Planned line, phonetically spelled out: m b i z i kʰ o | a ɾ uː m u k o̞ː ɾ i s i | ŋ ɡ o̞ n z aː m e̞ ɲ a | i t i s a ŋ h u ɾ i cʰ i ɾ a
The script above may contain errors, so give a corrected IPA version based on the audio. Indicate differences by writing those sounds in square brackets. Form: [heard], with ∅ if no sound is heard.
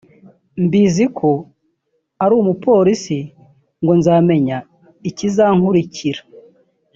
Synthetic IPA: m b i z i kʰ o | a ɾ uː m u [p] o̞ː ɾ i s i | ŋ ɡ o̞ n z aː m e̞ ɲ a | i [c] i [z] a ŋ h u ɾ i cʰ i ɾ a